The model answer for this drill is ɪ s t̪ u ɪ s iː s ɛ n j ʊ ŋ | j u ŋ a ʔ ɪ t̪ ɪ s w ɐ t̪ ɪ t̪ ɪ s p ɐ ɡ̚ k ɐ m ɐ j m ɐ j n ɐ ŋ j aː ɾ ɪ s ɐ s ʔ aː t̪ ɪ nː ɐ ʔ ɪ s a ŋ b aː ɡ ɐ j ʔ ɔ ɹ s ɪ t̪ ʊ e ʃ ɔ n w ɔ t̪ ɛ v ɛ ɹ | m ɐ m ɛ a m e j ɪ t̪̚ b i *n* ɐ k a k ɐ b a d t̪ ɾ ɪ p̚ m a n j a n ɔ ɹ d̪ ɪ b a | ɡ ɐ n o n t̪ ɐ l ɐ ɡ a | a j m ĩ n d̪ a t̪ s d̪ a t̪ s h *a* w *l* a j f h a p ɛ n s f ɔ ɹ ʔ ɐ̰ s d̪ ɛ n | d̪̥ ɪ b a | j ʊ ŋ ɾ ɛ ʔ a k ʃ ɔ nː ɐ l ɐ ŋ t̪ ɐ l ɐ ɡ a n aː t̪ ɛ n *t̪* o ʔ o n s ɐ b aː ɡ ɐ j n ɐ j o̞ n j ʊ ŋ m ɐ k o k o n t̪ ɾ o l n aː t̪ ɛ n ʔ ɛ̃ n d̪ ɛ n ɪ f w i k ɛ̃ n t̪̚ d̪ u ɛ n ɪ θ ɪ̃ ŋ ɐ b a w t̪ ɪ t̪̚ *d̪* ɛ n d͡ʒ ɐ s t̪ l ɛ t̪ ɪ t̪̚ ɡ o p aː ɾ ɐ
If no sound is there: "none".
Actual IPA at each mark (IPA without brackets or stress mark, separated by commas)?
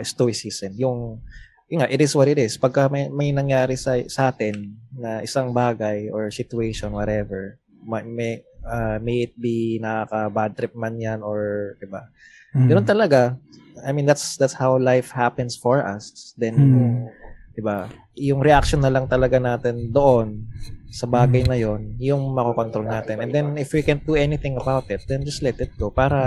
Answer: n, a, l, d̪, d̪